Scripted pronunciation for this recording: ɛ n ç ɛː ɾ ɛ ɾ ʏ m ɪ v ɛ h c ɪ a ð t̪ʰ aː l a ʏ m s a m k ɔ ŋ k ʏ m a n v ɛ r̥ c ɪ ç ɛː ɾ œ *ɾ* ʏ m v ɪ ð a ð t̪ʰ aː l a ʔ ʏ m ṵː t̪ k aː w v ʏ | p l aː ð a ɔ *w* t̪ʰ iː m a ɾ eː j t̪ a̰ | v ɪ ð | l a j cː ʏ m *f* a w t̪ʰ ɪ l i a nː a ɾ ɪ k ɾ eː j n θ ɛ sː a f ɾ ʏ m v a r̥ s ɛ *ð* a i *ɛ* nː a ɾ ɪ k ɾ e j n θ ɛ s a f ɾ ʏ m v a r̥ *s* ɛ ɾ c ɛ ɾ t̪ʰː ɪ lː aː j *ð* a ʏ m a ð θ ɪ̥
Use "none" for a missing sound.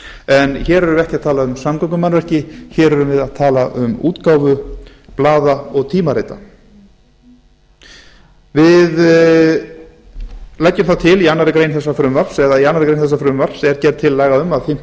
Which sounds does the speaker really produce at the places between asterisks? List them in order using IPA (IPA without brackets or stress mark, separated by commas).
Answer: ɾ, ɣ, θ, ð, a, s, ɣ